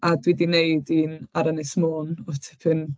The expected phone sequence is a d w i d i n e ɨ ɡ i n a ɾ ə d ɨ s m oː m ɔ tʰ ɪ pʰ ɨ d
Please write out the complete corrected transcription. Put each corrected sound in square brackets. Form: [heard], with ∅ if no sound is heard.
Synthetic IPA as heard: a d w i d i n e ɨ [d] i n a ɾ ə [n] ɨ s m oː [n] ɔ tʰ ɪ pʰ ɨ [n]